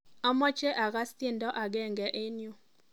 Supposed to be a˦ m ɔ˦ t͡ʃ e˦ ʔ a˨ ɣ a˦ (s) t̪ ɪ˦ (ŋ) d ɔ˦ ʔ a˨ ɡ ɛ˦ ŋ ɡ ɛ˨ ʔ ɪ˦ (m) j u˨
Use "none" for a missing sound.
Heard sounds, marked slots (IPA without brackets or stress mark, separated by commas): s, n, n